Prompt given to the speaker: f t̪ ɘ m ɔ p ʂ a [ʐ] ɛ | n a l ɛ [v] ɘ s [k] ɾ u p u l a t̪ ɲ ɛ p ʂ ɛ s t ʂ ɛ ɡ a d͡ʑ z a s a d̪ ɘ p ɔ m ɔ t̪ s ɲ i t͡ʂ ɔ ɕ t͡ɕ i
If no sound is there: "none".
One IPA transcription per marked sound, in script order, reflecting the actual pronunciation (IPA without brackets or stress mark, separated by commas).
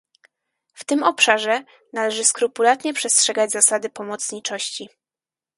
ʐ, ʐ, k